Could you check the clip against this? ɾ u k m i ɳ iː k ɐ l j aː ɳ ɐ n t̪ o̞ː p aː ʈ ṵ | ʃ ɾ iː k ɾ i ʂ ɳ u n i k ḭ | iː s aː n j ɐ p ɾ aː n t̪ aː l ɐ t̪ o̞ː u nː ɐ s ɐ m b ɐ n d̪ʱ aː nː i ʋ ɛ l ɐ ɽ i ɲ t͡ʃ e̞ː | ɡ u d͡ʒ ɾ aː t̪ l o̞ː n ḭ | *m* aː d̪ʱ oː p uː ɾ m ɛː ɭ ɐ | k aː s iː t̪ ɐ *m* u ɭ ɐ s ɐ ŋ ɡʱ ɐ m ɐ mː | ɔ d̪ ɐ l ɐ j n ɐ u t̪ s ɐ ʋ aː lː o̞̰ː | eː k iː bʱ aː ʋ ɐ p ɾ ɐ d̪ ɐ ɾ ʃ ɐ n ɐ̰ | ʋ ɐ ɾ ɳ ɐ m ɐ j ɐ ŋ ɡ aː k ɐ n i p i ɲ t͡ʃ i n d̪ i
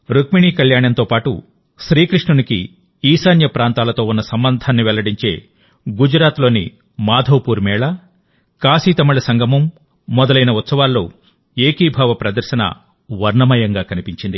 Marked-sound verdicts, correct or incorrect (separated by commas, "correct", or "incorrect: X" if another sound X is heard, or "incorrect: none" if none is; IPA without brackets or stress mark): correct, correct